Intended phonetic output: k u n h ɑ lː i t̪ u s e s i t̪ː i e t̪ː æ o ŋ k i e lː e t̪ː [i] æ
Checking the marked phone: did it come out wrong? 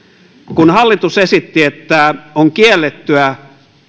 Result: yes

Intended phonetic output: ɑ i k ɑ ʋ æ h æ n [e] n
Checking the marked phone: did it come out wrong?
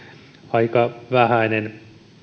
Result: no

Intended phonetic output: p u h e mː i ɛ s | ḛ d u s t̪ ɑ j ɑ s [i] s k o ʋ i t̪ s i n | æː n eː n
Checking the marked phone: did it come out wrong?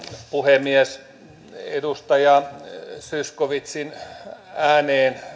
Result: yes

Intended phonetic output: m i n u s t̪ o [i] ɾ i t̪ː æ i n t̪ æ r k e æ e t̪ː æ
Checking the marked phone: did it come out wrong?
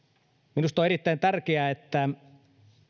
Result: yes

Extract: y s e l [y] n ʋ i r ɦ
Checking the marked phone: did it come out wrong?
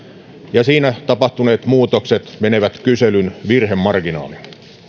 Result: no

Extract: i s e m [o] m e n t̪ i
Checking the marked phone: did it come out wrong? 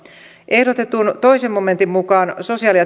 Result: no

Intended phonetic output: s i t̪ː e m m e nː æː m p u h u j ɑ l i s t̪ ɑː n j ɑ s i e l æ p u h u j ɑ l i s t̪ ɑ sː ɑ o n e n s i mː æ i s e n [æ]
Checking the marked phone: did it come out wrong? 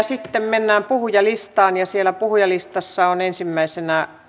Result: no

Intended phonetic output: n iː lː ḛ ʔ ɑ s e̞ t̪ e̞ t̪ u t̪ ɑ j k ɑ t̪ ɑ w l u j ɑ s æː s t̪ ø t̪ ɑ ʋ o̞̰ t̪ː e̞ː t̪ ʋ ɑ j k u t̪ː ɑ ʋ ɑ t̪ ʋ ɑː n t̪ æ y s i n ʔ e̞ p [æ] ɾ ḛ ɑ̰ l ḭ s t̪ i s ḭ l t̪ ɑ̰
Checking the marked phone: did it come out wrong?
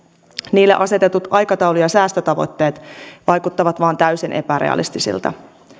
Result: no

